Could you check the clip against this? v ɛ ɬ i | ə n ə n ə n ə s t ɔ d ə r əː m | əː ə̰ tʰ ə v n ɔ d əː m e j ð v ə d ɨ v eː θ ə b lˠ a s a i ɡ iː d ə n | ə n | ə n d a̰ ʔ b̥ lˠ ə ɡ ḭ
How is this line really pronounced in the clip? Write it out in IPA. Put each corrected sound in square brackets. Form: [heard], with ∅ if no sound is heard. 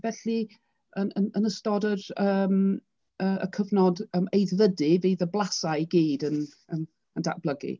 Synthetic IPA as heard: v ɛ ɬ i | ə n ə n ə n ə s t ɔ d ə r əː m | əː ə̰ [kʰ] ə v n ɔ d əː m e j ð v ə d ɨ v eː [ð] ə b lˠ a s a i ɡ iː d ə n | ə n | ə n d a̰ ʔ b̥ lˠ ə ɡ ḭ

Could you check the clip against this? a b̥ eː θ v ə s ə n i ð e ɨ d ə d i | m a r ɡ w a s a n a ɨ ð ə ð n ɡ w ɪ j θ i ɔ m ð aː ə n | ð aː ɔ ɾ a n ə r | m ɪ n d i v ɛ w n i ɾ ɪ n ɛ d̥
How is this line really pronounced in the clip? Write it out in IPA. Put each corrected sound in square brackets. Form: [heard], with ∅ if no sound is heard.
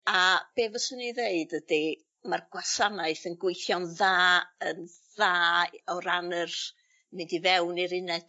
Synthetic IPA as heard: a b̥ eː [∅] v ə s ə n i ð e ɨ d ə d i | m a r ɡ w a s a n a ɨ [θ] ə [∅] n ɡ w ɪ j θ [j] ɔ [n] ð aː ə n | ð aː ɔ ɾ a n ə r | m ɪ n d i v ɛ w n i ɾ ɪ n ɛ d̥

